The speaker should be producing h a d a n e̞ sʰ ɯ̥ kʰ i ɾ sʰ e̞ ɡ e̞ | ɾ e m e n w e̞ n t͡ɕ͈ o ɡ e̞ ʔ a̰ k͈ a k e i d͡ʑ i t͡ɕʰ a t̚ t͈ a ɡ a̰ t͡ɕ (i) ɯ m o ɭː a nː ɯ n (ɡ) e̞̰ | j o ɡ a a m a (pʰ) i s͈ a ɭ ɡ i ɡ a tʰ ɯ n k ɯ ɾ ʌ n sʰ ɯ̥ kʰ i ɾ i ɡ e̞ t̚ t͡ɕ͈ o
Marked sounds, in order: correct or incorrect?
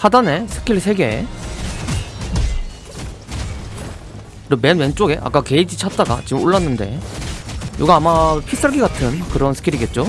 correct, incorrect, correct

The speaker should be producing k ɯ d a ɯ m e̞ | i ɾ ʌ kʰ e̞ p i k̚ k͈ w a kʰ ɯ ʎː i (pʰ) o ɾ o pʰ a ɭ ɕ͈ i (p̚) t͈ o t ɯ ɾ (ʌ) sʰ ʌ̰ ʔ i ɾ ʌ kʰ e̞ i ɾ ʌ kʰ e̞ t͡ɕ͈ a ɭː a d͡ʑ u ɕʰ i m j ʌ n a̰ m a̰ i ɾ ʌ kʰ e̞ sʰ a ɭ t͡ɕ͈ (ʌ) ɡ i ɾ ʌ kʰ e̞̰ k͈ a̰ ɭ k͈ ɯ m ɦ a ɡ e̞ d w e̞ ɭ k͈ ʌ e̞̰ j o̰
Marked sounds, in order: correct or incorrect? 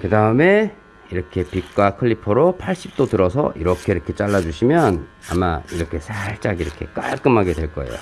correct, correct, correct, incorrect

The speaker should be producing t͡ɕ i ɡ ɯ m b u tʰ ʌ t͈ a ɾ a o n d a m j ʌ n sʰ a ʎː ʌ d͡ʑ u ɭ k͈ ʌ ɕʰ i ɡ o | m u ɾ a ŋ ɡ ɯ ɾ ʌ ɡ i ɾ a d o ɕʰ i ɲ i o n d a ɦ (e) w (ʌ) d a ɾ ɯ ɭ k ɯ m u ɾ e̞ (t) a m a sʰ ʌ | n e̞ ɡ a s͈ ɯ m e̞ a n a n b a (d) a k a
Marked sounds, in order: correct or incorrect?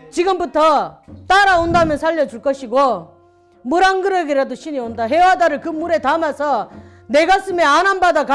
correct, incorrect, correct, correct

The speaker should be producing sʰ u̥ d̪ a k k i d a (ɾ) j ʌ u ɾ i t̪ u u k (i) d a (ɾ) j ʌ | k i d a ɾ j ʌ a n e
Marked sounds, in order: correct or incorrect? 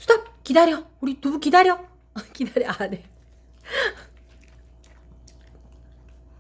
correct, correct, correct

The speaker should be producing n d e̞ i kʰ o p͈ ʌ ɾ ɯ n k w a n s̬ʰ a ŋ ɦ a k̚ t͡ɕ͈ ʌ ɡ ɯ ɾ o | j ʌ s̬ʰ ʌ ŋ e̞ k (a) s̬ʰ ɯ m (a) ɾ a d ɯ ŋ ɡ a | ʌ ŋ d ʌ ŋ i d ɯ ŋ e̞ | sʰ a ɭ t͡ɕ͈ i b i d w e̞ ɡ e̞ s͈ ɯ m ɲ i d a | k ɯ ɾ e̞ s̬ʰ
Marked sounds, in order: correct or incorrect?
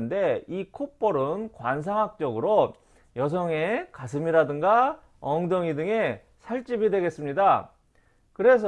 correct, incorrect

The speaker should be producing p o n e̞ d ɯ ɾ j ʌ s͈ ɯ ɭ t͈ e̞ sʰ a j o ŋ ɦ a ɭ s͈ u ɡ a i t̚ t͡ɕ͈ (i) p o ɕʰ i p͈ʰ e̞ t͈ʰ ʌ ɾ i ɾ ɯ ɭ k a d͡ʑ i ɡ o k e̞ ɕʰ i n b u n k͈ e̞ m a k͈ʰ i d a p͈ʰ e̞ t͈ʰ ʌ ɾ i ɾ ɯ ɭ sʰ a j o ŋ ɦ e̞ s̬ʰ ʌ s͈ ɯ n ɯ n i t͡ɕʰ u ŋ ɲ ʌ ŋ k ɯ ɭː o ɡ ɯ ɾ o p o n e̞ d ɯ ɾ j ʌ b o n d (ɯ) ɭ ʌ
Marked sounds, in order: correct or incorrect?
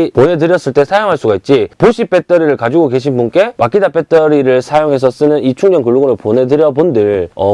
correct, correct

